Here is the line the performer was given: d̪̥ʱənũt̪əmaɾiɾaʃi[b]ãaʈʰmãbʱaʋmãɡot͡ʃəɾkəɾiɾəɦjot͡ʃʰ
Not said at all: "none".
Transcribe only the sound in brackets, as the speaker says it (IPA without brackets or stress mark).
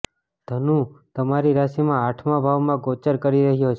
m